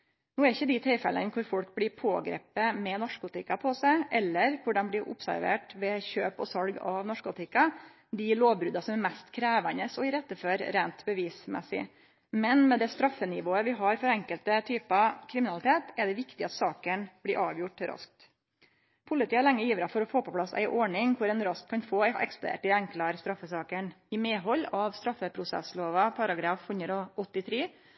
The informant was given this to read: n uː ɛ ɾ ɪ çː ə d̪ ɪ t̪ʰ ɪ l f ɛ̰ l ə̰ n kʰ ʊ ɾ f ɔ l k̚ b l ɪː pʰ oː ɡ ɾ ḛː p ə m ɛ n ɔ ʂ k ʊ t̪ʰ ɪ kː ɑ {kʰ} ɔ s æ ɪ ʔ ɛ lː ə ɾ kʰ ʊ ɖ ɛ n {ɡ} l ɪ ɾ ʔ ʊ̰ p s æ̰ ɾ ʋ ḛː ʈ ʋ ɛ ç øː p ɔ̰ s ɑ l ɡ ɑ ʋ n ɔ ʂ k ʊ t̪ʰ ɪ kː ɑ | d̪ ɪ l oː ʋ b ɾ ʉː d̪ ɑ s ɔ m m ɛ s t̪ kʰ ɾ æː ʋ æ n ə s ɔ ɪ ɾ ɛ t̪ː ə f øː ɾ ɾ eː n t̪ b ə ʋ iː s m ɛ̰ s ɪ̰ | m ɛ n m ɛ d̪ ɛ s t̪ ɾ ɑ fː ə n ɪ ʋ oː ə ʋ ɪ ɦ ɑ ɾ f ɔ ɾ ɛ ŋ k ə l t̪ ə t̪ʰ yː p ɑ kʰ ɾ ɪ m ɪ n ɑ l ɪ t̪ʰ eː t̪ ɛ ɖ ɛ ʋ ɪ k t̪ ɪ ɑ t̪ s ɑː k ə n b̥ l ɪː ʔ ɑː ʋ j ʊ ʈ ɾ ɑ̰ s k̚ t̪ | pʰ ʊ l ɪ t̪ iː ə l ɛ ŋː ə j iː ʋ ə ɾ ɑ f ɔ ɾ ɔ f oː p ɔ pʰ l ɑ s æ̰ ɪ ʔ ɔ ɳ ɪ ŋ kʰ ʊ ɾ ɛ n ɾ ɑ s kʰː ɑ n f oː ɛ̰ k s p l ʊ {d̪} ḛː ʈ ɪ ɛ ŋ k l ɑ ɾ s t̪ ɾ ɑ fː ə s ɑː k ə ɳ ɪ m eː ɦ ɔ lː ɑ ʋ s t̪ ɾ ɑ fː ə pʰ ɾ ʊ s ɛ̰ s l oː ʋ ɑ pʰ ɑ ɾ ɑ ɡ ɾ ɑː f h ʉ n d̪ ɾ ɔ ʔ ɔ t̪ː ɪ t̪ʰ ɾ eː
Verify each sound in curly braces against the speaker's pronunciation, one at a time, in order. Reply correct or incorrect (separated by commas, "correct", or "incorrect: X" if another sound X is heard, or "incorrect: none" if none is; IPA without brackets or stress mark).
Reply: incorrect: pʰ, incorrect: b, correct